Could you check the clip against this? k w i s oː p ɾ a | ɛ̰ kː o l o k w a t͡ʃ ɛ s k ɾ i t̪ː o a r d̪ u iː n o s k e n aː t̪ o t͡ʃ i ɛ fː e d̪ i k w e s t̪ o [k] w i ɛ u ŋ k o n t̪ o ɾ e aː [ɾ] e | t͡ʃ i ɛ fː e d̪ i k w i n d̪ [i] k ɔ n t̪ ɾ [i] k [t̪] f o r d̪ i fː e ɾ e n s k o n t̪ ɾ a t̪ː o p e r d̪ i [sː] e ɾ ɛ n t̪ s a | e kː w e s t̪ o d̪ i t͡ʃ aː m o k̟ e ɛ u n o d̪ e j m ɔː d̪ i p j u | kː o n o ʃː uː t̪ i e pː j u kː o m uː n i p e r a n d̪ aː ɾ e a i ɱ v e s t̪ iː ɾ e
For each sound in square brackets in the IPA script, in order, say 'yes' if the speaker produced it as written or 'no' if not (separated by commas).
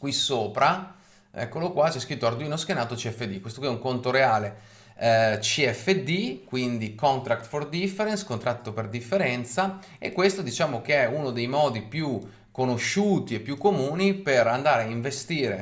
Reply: yes, no, yes, no, yes, no